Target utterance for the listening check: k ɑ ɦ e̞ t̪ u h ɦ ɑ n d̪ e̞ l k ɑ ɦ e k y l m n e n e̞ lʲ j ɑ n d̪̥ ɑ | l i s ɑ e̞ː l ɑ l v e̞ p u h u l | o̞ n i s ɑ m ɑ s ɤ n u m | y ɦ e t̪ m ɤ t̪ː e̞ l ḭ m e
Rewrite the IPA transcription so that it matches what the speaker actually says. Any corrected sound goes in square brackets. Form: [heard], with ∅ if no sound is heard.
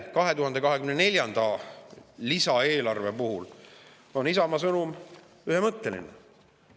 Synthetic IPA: k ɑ ɦ e̞ t̪ u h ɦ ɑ n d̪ e̞ [∅] k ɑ ɦ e k y [∅] m n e n e̞ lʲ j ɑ n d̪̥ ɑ | l i s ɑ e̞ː l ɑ [r] v e̞ p u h u l | o̞ n i s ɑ m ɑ s ɤ n u m | y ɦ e [∅] m ɤ t̪ː e̞ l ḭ [n] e